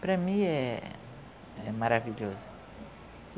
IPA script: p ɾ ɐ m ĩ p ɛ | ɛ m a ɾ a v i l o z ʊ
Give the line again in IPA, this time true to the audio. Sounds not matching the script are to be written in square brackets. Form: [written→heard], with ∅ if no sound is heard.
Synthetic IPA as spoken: p ɾ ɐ m ĩ [p→∅] ɛ | ɛ m a ɾ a v i [l→ʎ] o z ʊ